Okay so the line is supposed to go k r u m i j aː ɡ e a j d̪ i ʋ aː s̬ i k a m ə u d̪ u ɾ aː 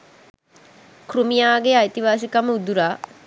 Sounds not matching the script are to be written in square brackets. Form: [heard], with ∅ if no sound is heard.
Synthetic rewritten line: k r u m i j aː ɡ e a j [t̪] i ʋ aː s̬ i k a m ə u d̪ u ɾ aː